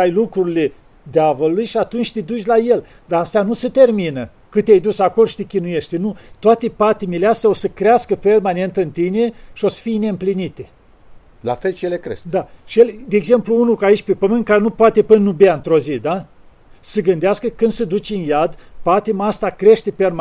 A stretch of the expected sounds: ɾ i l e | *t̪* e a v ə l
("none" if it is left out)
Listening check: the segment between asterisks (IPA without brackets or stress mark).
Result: d̪